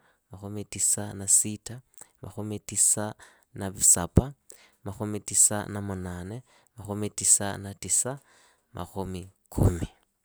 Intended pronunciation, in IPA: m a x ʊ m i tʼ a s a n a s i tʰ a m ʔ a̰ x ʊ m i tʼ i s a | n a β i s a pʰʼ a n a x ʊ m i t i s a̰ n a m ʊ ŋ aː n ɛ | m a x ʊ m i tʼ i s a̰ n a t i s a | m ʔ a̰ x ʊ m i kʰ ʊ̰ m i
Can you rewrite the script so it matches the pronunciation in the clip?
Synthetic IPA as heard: m a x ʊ m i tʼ i s a n a s i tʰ a m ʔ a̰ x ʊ m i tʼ i s a | n a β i s a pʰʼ a m a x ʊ m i t i s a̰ n a m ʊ n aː n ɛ | m a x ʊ m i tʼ i s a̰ n a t i s a | m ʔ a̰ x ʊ m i kʰ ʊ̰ m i